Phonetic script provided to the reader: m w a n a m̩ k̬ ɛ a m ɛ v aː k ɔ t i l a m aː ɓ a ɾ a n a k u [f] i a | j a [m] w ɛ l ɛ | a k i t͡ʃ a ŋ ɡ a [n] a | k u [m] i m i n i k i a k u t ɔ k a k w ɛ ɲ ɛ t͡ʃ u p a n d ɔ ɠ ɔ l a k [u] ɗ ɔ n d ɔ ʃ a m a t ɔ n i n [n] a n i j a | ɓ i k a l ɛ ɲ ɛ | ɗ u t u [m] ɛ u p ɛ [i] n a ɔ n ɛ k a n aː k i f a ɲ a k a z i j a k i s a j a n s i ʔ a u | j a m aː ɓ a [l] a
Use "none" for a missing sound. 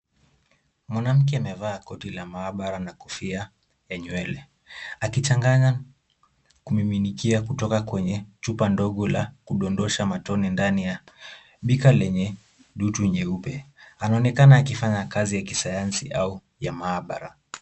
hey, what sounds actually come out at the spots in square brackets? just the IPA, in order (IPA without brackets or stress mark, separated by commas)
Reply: f, ɲ, ɲ, m, u, d, ɲ, a, ɾ